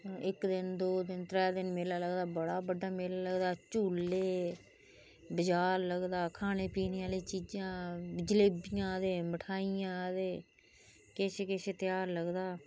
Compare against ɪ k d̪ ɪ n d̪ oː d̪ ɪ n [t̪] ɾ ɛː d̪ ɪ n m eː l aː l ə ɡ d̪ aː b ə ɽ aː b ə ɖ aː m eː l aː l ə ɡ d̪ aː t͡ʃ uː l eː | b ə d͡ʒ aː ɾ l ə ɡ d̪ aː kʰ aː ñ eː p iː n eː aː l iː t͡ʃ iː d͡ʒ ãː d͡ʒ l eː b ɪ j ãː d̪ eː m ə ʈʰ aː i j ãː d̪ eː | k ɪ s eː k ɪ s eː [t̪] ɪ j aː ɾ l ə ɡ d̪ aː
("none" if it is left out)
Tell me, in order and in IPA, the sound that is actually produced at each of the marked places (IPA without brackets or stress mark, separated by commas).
t̪, t̪